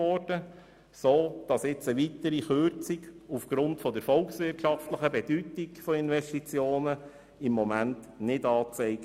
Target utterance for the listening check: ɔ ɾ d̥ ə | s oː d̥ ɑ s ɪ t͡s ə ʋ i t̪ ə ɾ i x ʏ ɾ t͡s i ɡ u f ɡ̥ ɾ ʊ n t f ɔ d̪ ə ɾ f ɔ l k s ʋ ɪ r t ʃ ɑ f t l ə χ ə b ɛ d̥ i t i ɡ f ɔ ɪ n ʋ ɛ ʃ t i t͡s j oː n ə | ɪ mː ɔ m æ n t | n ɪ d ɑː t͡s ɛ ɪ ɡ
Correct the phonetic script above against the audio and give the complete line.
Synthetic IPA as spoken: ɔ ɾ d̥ ə | s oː d̥ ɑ s ɪ t͡s ə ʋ i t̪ ə ɾ i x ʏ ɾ t͡s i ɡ u f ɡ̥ ɾ ʊ n t f ɔ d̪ ə ɾ f ɔ l k s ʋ ɪ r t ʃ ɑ f t l ə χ ə b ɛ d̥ y t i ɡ f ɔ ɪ n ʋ ɛ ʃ t i t͡s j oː n ə | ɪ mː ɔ m æ n t | n ɪ d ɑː t͡s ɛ ɪ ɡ